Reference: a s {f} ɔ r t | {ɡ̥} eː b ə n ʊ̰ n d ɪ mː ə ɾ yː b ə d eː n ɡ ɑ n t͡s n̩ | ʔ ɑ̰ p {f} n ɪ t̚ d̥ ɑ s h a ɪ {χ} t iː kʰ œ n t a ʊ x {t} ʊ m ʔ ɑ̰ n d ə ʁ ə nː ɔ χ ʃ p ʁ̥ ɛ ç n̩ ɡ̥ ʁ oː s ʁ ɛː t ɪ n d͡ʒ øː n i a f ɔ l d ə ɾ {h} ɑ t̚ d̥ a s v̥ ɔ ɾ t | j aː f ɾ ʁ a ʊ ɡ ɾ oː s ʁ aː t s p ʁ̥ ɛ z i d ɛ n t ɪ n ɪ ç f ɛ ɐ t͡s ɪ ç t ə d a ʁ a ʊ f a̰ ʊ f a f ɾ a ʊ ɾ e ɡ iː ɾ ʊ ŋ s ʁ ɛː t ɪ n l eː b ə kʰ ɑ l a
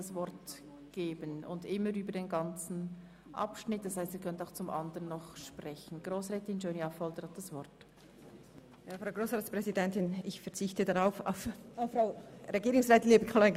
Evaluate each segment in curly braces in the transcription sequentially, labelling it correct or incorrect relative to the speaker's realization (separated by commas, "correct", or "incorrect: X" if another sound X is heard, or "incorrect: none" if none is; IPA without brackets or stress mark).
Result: incorrect: v, correct, incorrect: ʃ, incorrect: s, incorrect: t͡s, correct